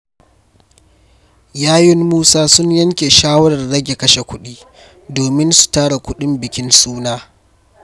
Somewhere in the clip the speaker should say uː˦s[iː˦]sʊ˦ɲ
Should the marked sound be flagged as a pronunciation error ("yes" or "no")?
yes